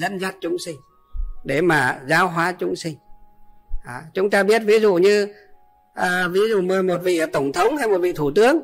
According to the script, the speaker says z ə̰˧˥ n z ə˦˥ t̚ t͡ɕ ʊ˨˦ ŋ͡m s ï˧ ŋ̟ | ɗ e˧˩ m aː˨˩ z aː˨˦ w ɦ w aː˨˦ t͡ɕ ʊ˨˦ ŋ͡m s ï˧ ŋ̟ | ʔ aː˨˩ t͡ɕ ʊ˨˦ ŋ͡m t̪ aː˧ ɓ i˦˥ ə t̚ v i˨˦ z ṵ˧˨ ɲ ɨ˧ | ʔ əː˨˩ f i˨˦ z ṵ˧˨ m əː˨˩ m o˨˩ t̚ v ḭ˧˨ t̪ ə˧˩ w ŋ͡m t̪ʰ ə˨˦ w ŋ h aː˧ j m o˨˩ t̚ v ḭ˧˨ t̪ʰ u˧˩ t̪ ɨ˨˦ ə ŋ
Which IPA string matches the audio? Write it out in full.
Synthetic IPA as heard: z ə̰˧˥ n z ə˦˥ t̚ t͡ɕ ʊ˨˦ ŋ͡m s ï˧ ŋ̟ | ɗ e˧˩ m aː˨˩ z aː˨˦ w ɦ w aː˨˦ t͡ɕ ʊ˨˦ ŋ͡m s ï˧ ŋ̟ | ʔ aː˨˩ t͡ɕ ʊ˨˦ ŋ͡m t̪ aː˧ ɓ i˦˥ ə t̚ v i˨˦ z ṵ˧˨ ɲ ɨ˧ | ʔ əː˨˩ v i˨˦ z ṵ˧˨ m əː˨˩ m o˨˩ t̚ v ḭ˧˨ t̪ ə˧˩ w ŋ͡m t̪ʰ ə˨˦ w ŋ͡m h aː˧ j m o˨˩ t̚ v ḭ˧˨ t̪ʰ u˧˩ t̪ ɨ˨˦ ə ŋ